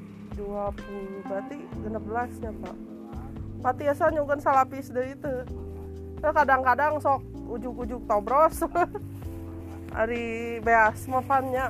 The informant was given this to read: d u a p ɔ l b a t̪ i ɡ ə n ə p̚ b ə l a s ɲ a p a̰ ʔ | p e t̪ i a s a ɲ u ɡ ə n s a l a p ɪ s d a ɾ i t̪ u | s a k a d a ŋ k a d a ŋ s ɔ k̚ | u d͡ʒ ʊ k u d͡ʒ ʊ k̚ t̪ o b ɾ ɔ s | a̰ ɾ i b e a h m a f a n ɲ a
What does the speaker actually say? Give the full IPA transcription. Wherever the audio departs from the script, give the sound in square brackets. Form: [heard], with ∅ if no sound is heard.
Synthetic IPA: d u a p [u] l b a t̪ i ɡ ə n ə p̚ b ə l a s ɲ a p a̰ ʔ | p [a] t̪ i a s a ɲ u ɡ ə n s a l a p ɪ s d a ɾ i t̪ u | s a k a d a ŋ k a d a ŋ s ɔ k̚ | u d͡ʒ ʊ k u d͡ʒ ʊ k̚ t̪ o b ɾ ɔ s | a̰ ɾ i b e a [s] m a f a n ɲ a